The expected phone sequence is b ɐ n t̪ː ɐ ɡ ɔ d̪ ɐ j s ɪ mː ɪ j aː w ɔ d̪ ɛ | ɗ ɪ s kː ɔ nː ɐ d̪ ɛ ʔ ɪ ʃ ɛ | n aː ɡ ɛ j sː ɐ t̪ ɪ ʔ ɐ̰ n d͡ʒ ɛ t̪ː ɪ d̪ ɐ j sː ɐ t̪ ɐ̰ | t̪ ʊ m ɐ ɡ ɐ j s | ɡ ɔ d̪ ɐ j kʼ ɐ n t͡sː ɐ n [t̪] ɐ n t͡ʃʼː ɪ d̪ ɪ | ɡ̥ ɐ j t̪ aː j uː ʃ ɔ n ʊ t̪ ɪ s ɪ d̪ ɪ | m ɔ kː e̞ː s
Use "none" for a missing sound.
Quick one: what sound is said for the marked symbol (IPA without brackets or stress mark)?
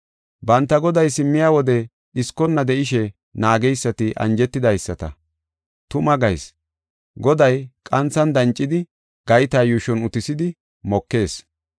d̪